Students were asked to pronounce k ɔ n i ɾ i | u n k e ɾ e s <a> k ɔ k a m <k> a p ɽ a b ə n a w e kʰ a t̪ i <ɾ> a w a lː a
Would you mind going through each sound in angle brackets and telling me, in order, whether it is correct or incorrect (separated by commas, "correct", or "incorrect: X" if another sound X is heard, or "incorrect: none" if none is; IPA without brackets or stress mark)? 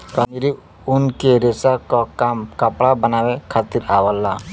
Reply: correct, correct, correct